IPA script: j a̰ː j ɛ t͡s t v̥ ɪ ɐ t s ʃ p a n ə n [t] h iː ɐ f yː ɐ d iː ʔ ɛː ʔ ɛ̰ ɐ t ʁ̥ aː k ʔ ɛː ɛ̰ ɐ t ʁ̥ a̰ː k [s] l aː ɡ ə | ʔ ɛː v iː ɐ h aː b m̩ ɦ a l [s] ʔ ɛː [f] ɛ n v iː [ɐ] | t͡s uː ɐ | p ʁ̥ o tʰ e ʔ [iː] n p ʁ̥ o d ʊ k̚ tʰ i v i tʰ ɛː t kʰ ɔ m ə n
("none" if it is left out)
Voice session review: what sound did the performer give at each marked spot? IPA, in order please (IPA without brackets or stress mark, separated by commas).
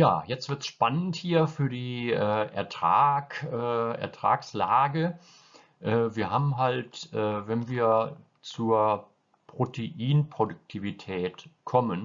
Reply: t, s, t, v, ɐ, iː